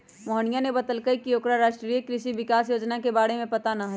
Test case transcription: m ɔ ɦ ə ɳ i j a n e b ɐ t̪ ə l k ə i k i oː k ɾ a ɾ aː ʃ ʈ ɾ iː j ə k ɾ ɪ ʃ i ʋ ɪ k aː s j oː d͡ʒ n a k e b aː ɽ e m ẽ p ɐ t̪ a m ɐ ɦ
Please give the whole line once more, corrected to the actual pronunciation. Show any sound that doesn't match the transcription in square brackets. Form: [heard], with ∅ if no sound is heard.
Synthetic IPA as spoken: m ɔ ɦ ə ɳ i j a n e b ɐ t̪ ə l k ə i k i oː k ɾ a ɾ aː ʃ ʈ ɾ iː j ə k ɾ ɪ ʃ i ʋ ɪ k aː s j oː d͡ʒ n a k e b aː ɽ e m ẽ p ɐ t̪ a [n] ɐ ɦ